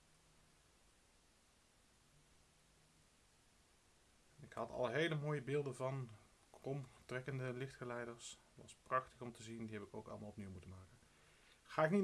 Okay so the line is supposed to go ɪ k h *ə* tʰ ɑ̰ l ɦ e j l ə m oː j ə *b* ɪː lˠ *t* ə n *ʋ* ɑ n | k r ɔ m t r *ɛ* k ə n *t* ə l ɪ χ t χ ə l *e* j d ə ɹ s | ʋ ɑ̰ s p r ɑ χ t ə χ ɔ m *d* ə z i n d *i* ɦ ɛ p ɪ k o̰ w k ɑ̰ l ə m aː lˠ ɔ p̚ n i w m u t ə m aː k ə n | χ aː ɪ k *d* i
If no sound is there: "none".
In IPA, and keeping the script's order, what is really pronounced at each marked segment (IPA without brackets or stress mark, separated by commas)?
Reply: ɑ, b, d, v, ɛ, d, ɛ, t, i, n